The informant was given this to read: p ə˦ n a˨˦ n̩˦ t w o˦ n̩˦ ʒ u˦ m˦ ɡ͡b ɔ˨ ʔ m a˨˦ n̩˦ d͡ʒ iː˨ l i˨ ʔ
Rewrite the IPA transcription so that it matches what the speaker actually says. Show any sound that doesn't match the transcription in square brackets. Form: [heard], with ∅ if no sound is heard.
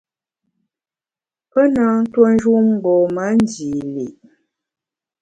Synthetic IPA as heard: p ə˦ n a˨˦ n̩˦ t w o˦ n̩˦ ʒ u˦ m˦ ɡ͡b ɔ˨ [∅] m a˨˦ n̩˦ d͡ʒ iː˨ l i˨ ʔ